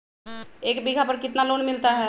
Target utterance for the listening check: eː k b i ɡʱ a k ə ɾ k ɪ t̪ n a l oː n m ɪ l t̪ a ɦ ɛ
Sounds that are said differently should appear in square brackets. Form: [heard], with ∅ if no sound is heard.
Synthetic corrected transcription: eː k b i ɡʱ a [p] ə ɾ k ɪ t̪ n a l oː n m ɪ l t̪ a ɦ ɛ